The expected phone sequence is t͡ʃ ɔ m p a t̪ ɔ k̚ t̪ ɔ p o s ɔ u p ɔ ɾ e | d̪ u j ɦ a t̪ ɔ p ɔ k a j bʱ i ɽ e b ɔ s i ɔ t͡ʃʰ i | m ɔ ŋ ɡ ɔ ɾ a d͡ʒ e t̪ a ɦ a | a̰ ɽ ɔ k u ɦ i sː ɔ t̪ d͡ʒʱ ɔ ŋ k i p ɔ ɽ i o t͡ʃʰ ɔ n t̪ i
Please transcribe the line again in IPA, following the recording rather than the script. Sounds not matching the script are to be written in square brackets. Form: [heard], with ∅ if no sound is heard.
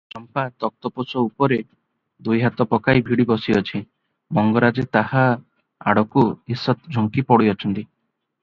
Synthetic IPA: t͡ʃ ɔ m p a t̪ ɔ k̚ t̪ ɔ p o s ɔ u p ɔ ɾ e | d̪ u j ɦ a t̪ ɔ p ɔ k a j bʱ i ɽ [i] b ɔ s i ɔ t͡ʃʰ i | m ɔ ŋ ɡ ɔ ɾ a d͡ʒ e t̪ a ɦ a | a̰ ɽ ɔ k u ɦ i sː ɔ t̪ d͡ʒʱ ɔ ŋ k i p ɔ ɽ i [ɔ] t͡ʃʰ ɔ n t̪ i